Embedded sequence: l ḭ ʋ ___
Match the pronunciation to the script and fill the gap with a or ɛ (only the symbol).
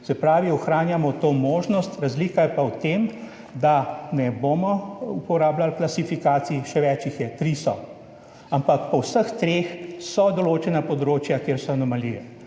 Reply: ɛ